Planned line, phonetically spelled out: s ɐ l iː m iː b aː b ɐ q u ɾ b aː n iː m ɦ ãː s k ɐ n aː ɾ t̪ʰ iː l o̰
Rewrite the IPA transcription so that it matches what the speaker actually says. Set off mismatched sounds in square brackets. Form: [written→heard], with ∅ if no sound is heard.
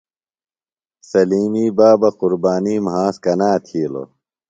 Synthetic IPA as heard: s ɐ l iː m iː b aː b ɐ q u ɾ b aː n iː m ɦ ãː s k ɐ n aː [ɾ→∅] t̪ʰ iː l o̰